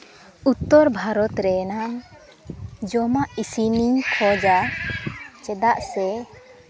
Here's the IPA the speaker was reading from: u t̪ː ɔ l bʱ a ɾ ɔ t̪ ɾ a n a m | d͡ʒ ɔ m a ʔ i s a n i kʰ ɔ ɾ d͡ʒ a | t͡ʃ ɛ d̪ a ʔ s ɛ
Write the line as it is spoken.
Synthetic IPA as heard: u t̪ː ɔ ɾ bʱ a ɾ ɔ t̪ ɾ ɛ n a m | d͡ʒ ɔ m a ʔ i s i n i kʰ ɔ d͡ʒ a | t͡ʃ ɛ d̪ a ʔ s ɛ